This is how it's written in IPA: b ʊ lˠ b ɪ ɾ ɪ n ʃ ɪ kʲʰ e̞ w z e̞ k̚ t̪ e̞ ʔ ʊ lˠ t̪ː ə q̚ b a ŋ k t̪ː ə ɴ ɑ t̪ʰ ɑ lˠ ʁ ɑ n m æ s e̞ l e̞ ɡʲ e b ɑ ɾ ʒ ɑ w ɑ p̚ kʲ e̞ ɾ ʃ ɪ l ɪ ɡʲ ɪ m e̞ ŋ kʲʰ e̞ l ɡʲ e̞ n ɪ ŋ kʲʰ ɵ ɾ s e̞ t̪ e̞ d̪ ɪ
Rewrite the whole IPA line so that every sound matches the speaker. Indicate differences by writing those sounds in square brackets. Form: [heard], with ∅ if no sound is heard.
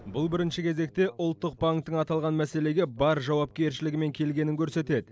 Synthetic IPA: b ʊ lˠ b ɪ ɾ ɪ n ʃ ɪ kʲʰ e̞ [∅] z e̞ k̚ t̪ e̞ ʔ ʊ lˠ t̪ː ə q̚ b a ŋ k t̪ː ə ɴ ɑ [t̪] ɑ lˠ ʁ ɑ n m æ s e̞ l e̞ ɡʲ e b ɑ ɾ ʒ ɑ w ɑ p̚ kʲ e̞ ɾ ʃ ɪ l ɪ ɡʲ ɪ m e̞ ŋ kʲʰ e̞ l ɡʲ e̞ n ɪ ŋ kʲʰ ɵ ɾ s e̞ t̪ e̞ d̪ ɪ